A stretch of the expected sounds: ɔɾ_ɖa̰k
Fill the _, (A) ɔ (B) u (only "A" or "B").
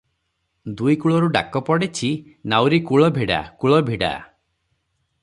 B